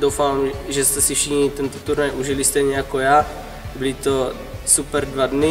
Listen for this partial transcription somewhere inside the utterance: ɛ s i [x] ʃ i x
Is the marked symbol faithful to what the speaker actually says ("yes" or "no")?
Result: no